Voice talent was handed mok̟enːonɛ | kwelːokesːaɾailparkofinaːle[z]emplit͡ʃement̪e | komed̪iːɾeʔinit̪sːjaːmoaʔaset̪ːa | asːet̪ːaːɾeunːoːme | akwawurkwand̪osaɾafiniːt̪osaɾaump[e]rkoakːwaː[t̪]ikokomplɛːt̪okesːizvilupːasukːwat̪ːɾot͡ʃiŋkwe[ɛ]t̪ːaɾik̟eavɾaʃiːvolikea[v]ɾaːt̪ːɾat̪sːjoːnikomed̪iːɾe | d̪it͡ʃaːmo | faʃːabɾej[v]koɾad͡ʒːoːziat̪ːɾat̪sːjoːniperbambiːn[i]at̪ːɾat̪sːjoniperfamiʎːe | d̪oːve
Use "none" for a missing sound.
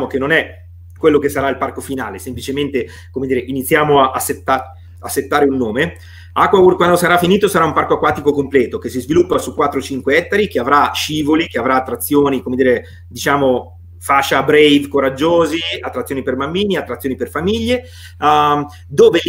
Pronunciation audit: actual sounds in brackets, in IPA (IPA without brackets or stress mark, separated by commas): s, a, t̪, ɛ, v, v, i